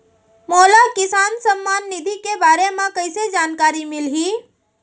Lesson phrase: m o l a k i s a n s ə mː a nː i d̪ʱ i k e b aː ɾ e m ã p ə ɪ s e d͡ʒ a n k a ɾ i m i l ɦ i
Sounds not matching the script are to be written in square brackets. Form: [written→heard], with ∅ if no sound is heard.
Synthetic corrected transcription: m o l a k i s a n s ə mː a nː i d̪ʱ i k e b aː ɾ e m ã [p→k] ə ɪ s e d͡ʒ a n k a ɾ i m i l ɦ i